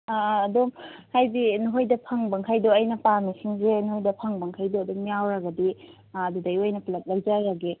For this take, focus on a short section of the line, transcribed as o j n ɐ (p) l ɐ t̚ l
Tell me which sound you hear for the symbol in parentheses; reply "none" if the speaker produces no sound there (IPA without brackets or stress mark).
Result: p